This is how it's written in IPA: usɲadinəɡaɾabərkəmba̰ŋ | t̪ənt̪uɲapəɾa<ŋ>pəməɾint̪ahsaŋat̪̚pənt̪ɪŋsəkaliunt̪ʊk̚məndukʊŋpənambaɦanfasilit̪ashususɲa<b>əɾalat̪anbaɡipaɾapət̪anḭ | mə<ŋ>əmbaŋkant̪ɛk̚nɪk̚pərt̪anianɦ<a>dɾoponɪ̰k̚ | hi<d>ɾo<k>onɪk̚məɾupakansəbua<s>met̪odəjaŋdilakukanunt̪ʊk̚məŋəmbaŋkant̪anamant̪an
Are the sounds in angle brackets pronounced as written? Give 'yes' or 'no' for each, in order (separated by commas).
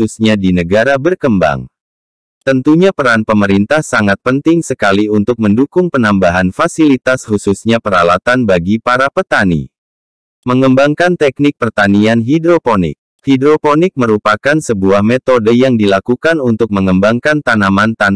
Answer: no, no, yes, no, yes, no, no